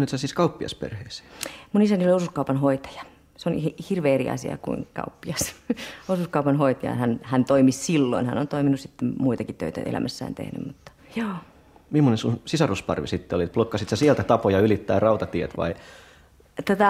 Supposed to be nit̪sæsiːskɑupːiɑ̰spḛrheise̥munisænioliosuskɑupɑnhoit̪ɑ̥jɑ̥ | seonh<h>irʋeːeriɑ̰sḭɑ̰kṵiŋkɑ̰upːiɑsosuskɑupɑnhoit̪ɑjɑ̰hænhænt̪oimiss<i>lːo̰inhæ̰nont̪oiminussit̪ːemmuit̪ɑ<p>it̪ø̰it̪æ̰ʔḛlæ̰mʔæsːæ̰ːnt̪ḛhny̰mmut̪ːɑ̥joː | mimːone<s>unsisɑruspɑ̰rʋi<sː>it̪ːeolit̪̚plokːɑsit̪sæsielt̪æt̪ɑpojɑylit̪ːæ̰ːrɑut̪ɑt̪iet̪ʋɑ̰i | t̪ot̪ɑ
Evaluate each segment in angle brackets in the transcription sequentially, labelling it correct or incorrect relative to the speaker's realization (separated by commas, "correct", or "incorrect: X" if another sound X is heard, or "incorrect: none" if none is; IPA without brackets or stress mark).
correct, correct, incorrect: k, correct, incorrect: s